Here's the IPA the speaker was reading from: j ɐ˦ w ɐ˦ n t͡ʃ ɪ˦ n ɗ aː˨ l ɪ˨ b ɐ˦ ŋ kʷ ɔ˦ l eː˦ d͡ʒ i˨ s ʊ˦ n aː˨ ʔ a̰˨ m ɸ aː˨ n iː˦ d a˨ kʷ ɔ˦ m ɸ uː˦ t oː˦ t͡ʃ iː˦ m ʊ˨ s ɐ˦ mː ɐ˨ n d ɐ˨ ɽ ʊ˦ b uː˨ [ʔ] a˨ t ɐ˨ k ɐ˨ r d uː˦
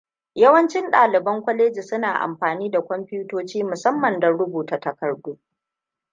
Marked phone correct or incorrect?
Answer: incorrect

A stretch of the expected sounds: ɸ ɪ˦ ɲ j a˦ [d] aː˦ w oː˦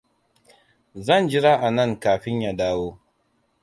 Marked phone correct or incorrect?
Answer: correct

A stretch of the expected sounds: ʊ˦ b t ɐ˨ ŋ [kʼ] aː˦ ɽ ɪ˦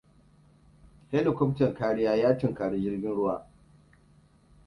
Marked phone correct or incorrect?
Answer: incorrect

